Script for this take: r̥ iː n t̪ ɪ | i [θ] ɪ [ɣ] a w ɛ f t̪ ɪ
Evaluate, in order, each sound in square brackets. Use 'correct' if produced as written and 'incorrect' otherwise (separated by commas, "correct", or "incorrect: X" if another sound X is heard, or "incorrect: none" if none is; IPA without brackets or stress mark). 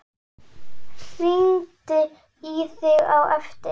correct, correct